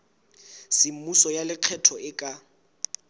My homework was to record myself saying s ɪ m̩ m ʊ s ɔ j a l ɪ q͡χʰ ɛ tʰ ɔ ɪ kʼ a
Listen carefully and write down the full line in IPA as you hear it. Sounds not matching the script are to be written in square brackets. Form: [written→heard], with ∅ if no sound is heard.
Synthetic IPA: s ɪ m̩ m [ʊ→u] s ɔ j a l ɪ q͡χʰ ɛ tʰ ɔ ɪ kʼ a